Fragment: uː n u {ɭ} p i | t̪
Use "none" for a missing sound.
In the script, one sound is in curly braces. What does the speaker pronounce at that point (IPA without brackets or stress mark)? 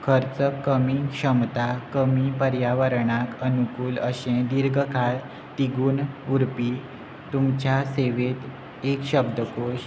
ɾ